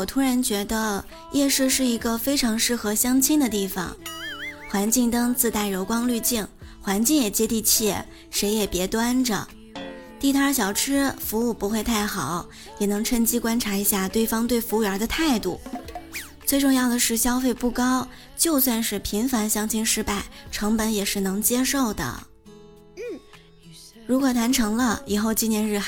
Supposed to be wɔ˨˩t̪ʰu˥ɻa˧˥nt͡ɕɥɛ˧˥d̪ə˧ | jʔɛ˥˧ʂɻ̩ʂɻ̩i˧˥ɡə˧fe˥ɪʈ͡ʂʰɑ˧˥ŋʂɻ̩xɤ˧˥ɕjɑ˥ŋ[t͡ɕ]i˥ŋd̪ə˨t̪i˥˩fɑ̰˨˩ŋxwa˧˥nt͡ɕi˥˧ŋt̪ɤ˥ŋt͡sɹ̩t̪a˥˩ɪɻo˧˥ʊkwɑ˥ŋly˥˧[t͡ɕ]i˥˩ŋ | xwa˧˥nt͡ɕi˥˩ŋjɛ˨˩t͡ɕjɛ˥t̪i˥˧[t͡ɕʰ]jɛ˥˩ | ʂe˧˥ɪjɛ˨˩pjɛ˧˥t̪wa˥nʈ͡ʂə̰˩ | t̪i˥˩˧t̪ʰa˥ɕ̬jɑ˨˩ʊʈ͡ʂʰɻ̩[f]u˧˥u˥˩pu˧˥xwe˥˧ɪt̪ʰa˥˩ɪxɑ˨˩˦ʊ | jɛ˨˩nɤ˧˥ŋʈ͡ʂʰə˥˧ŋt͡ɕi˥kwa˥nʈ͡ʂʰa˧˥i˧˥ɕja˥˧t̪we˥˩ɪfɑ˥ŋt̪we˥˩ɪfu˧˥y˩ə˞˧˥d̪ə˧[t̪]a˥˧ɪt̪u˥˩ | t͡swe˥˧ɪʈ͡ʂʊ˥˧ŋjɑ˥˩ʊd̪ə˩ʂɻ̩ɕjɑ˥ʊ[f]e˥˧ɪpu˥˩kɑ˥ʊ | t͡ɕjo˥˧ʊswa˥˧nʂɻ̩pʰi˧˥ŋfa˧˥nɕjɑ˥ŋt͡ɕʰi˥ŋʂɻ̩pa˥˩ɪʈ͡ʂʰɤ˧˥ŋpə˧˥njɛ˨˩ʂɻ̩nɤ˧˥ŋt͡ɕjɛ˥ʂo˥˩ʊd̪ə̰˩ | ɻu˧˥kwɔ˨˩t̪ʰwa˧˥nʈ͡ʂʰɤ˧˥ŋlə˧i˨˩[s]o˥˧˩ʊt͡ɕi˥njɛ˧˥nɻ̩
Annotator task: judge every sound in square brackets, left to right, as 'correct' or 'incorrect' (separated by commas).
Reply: incorrect, correct, correct, correct, incorrect, correct, incorrect